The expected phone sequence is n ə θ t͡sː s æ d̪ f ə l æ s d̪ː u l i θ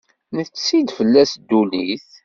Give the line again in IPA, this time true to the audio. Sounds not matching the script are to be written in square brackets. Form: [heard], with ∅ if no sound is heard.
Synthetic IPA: n ə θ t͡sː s [i] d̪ f ə [lː] æ s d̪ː u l i θ